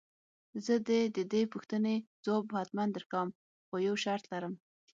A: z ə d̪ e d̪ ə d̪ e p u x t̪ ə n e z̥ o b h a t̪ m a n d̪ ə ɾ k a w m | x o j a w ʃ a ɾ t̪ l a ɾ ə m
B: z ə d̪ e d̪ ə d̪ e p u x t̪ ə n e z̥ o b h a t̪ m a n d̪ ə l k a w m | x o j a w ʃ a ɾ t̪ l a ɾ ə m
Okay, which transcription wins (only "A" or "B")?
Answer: A